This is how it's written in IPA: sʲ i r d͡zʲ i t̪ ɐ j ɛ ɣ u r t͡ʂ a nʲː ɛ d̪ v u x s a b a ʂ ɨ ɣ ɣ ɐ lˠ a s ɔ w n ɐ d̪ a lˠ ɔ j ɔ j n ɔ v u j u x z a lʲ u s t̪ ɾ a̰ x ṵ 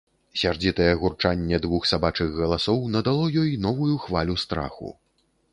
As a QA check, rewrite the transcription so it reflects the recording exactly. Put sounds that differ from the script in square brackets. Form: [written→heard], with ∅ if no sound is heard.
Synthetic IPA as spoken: sʲ [i→a] r d͡zʲ i t̪ ɐ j ɛ ɣ u r t͡ʂ a nʲː ɛ d̪ v u x s a b a [ʂ→t͡ʂ] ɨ ɣ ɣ ɐ lˠ a s ɔ w n ɐ d̪ a lˠ ɔ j ɔ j n ɔ v u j u x [z→v] a lʲ u s t̪ ɾ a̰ x ṵ